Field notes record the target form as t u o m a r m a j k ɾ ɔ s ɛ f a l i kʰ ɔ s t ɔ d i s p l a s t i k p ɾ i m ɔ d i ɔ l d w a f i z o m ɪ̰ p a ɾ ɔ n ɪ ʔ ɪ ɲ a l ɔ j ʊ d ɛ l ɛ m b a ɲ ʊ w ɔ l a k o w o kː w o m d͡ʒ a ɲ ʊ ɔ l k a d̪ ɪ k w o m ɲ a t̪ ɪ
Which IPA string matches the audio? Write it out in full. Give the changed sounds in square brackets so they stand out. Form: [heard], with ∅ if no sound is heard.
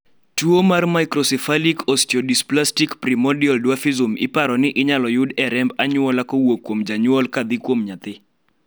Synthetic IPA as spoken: t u o m a r m a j k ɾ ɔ s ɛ f a l i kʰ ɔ s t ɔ d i s p l a s t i k p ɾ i m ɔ d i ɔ l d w a f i z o m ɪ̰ p a ɾ ɔ n ɪ ʔ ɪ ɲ a l ɔ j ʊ d ɛ [ɾ] ɛ m b a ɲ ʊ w ɔ l a k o w o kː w o m d͡ʒ a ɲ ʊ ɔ l k a d̪ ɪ k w o m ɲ a t̪ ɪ